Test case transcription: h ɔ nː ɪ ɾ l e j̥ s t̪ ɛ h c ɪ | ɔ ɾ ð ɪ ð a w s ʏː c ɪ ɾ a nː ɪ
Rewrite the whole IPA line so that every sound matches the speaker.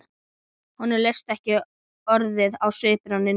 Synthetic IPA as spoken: h ɔ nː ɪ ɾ l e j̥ s t̪ ɛ h c ɪ | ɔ ɾ ð ɪ ð a w s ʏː p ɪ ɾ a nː ɪ